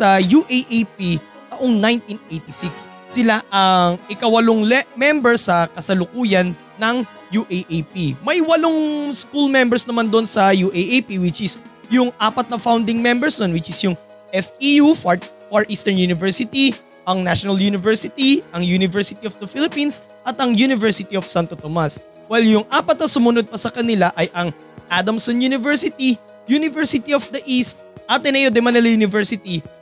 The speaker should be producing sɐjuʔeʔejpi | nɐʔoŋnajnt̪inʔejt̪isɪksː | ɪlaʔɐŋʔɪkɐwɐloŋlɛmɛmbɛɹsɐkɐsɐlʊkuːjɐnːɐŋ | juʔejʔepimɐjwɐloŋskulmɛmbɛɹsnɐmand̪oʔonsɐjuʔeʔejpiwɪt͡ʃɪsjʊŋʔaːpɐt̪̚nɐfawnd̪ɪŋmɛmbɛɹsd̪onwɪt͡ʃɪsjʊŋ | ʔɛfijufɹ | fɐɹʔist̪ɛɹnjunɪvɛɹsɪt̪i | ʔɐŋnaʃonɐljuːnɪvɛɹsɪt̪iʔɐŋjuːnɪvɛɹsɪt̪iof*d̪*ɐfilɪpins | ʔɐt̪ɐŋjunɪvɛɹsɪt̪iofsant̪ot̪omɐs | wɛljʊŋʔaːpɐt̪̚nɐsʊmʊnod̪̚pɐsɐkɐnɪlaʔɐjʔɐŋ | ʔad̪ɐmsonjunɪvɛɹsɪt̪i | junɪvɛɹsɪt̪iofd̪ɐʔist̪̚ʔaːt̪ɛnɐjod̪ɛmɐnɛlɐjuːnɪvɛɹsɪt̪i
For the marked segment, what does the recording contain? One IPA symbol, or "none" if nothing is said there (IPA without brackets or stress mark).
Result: d̪